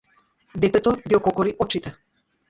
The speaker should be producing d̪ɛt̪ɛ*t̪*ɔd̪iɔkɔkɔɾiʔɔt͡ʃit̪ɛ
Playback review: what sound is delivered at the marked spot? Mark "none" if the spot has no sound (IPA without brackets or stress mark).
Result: t̪